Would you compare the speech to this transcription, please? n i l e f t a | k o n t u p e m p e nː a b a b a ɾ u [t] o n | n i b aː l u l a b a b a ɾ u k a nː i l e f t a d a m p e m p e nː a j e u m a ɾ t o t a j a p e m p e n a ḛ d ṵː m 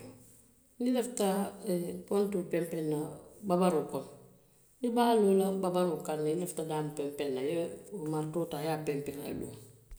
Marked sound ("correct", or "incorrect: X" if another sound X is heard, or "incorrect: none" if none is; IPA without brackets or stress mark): incorrect: k